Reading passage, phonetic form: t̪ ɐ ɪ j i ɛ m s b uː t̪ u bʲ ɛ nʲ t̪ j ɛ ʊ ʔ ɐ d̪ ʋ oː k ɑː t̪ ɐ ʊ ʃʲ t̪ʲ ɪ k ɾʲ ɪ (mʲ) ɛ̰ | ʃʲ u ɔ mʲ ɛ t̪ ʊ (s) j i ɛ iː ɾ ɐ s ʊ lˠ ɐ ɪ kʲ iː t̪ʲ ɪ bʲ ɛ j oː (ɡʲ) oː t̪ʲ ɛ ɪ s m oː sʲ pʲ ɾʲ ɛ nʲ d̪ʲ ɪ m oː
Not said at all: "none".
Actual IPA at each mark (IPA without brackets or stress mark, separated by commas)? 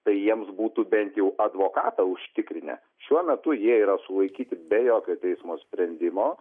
nʲ, none, kʲ